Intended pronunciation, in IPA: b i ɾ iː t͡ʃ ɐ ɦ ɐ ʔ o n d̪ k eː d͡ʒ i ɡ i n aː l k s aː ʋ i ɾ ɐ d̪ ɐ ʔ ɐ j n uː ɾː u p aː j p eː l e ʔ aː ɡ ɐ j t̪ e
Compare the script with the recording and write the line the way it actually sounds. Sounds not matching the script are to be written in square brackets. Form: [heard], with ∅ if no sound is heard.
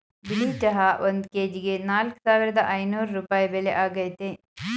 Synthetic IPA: b i [l] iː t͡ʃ ɐ ɦ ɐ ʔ o n d̪ k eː d͡ʒ i ɡ [e] n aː l k s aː ʋ i ɾ ɐ d̪ ɐ ʔ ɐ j n uː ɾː u p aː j [b] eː l e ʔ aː ɡ ɐ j t̪ e